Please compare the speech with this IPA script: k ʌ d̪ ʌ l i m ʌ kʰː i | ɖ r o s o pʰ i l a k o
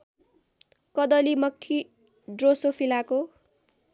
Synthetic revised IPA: k ʌ d̪ ʌ l i m ʌ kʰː i | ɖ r o s o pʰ i l a k o